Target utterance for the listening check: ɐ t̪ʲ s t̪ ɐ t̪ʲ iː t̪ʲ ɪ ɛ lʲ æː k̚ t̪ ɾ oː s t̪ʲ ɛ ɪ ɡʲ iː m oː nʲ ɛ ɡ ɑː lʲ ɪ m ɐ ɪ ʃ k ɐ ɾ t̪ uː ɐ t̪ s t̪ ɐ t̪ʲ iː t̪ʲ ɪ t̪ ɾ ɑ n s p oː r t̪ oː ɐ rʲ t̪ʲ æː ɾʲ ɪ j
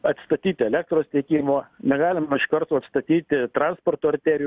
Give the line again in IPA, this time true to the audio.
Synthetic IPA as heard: ɐ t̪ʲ s t̪ ɐ t̪ʲ iː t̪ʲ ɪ ɛ lʲ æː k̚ t̪ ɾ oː s t̪ʲ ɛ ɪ kʲ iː m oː nʲ ɛ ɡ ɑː lʲ ɪ m ɐ ɪ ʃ k ɐ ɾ t̪ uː ɐ t̪ s t̪ ɐ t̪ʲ iː t̪ʲ ɪ t̪ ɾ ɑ n s p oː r t̪ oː ɐ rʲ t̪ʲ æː ɾʲ ɪ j